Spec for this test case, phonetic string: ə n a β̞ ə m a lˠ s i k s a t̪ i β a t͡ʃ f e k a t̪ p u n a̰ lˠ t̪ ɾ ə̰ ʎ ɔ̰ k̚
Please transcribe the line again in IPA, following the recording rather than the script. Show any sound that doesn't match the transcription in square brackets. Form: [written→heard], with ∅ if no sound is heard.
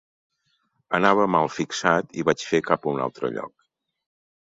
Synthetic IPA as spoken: ə n a β̞ ə m a lˠ [s→f] i k s a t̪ i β a t͡ʃ f e k a [t̪→∅] p u n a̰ lˠ t̪ ɾ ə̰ ʎ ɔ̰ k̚

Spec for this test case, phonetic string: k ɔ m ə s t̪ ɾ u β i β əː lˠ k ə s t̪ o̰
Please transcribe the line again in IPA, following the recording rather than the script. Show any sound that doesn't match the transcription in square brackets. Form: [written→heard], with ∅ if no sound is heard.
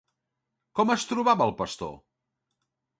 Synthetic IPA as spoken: k ɔ m ə s t̪ ɾ u β [i→a] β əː lˠ [k→p] ə s t̪ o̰

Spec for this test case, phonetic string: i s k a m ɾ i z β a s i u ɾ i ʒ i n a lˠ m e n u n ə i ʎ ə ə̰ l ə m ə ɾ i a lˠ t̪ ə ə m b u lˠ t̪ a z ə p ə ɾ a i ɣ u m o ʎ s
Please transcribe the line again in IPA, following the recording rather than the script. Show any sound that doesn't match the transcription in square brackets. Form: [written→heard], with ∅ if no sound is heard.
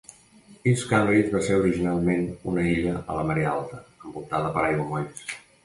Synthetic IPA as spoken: i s k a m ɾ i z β a s [i→e] u ɾ i ʒ i n a lˠ m e n u n ə i ʎ ə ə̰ l ə m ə ɾ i a lˠ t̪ ə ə m b u lˠ t̪ a [z→ð] ə p ə ɾ a [i→j] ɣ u m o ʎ s

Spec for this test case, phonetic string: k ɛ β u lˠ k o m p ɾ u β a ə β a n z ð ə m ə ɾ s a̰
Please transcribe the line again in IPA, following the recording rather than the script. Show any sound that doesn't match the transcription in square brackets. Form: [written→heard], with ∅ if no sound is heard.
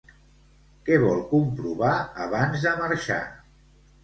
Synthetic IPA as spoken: k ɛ β [u→ɔ] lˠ k [o→u] m p ɾ u β a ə β a n z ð ə m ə ɾ [s→ʃ] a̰

